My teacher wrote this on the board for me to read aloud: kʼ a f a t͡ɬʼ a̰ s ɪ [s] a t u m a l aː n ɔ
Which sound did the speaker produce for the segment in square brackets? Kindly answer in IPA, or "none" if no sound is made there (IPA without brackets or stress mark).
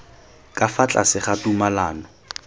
χ